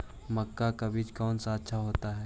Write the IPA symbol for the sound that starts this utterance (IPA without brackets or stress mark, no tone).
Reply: m